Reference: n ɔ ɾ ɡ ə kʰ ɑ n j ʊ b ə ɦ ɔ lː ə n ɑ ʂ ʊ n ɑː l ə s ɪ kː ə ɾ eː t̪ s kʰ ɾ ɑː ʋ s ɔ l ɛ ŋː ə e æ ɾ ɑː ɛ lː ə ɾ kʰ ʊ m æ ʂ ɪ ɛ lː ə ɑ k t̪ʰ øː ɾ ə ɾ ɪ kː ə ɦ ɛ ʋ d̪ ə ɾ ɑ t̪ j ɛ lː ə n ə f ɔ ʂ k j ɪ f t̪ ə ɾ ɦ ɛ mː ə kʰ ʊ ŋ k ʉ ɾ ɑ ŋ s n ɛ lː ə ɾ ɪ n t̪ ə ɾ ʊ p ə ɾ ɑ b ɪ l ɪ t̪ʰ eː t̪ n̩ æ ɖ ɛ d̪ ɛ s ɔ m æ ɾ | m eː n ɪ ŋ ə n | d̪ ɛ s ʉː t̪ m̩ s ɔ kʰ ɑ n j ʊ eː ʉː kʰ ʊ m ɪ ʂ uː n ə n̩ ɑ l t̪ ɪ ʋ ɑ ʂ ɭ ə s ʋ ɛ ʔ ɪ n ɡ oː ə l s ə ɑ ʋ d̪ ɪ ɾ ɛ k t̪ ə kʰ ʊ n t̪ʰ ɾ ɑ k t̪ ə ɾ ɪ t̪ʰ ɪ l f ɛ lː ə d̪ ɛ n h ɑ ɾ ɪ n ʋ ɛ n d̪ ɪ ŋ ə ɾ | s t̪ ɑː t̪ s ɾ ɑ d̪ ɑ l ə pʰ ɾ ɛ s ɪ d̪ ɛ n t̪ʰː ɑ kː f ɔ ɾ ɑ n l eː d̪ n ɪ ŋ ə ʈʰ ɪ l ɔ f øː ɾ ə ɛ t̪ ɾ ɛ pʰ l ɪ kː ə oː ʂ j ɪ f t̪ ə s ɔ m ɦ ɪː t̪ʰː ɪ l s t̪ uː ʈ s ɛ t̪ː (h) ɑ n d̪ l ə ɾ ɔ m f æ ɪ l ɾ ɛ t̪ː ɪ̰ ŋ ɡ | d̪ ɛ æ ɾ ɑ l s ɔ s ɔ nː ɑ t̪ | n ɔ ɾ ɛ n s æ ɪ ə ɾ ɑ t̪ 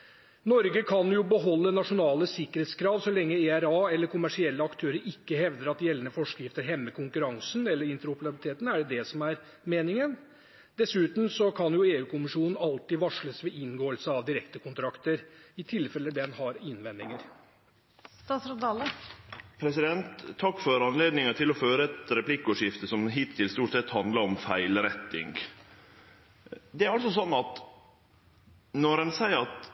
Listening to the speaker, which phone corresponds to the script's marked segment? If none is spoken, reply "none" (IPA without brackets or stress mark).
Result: h